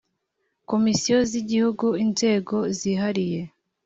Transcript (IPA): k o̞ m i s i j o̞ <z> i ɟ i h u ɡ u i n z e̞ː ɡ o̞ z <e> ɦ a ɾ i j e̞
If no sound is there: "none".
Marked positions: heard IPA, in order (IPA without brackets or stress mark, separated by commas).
z, i